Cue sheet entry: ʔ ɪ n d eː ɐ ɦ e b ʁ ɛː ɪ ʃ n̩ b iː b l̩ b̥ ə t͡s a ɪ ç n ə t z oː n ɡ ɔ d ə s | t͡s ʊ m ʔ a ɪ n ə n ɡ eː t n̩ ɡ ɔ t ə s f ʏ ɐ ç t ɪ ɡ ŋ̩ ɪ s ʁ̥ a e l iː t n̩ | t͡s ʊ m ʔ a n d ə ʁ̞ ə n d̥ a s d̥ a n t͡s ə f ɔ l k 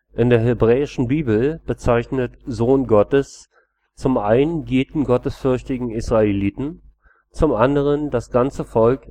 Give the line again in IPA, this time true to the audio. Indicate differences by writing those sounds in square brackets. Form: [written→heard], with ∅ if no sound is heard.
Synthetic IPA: ʔ ɪ n d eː ɐ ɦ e b ʁ ɛː ɪ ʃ n̩ b iː b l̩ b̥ ə t͡s a ɪ ç n ə t z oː n ɡ ɔ [d→t] ə s | t͡s ʊ m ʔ a ɪ n ə n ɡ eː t n̩ ɡ ɔ t ə s f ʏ ɐ ç t ɪ ɡ ŋ̩ ɪ s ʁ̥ a e l iː t n̩ | t͡s ʊ m ʔ a n d ə ʁ̞ ə n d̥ a s [d̥→ɡ̥] a n t͡s ə f ɔ l k